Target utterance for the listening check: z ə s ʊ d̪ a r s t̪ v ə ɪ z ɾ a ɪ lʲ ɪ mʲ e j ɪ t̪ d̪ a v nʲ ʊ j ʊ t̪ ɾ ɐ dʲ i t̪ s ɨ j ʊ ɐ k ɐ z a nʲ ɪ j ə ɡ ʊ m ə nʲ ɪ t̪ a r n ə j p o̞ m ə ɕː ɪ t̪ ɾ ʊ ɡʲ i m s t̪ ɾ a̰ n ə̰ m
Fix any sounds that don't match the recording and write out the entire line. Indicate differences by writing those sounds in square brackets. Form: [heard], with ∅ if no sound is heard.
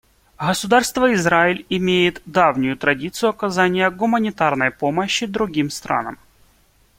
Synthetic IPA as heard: [ɣ] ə s ʊ d̪ a r s t̪ v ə ɪ z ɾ a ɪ lʲ ɪ mʲ e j ɪ t̪ d̪ a v nʲ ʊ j ʊ t̪ ɾ ɐ dʲ i t̪ s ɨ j ʊ ɐ k ɐ z a nʲ ɪ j ə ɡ ʊ m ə nʲ ɪ t̪ a r n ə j p o̞ m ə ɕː ɪ [d̪] ɾ ʊ ɡʲ i m s t̪ ɾ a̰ n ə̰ m